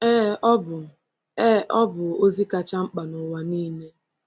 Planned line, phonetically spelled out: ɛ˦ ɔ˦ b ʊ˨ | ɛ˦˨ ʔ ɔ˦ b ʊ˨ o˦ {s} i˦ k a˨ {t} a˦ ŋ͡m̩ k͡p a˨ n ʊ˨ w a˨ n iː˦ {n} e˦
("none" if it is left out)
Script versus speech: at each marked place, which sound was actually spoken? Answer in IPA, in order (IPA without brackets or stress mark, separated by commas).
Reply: z, t͡ʃ, n